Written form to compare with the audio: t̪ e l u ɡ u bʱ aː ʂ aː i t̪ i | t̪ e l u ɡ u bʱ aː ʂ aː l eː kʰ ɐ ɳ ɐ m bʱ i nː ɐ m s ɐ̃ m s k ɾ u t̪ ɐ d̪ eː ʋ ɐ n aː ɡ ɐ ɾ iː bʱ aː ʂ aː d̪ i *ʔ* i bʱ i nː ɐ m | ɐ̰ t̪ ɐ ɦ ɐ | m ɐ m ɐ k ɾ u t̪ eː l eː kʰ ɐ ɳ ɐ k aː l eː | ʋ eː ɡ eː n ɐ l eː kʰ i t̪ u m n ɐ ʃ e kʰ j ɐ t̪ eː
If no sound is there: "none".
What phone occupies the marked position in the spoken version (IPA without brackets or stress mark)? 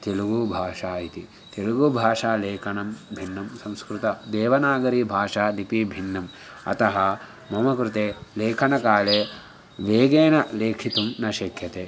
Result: p